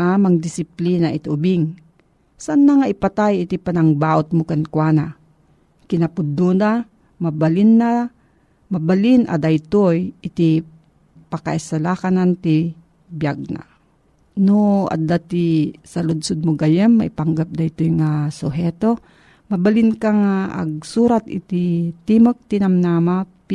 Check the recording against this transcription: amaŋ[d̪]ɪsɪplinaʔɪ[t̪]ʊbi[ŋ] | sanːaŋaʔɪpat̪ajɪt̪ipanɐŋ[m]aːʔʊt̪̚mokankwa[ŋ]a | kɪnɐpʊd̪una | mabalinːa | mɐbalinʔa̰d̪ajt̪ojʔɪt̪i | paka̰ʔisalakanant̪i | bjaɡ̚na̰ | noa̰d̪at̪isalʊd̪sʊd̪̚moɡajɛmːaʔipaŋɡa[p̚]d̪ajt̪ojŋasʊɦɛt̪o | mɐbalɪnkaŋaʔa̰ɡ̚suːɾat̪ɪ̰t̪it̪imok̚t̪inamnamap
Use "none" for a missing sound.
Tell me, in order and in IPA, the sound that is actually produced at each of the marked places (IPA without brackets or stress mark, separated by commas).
d̪, t̪, ŋ, b, n, p̚